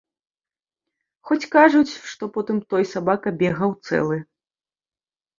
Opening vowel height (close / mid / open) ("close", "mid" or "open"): mid